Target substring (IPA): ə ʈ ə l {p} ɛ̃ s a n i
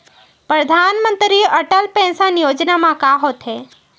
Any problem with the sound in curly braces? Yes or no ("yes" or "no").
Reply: no